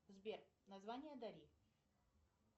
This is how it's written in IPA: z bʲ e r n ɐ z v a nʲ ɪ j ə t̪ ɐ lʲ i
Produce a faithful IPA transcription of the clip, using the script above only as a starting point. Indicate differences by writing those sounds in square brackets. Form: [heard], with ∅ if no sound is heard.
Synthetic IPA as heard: z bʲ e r n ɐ z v a nʲ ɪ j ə [d̪] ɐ [ɾʲ] i

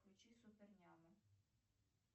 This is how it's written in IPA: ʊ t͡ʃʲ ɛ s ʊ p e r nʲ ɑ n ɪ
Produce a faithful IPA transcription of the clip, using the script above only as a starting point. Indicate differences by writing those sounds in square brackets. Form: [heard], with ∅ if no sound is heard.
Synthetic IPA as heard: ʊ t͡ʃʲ [i] s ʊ p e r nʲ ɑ [m] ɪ

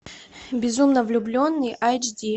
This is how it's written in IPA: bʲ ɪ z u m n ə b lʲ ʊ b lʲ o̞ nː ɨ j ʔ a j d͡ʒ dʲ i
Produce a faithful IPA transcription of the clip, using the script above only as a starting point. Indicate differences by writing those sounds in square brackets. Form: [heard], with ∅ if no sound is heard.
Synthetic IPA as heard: bʲ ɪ z u m n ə [v] lʲ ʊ b lʲ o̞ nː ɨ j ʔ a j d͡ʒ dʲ i

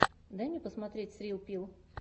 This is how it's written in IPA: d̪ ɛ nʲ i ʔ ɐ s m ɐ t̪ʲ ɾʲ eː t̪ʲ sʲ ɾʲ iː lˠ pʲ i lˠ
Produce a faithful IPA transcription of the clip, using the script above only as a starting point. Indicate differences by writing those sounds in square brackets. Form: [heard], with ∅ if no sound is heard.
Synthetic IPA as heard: d̪ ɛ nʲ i [p] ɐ s m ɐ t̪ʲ ɾʲ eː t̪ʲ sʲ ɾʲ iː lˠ pʲ i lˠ

